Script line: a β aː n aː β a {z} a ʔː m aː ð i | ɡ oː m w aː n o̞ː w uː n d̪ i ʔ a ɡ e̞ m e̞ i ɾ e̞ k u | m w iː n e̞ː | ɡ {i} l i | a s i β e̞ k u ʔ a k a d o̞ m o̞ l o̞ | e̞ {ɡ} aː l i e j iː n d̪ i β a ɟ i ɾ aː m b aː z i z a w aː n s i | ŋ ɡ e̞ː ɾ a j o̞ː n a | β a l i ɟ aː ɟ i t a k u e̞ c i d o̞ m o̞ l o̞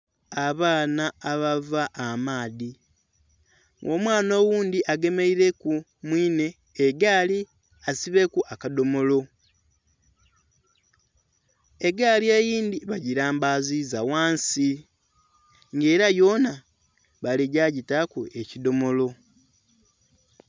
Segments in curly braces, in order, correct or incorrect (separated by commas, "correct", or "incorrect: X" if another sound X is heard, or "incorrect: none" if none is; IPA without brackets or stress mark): incorrect: v, incorrect: a, correct